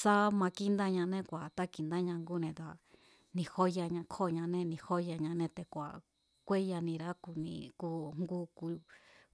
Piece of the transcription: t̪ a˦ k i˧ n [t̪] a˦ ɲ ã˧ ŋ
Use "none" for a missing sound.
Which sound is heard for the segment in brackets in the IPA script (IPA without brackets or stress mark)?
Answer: d̪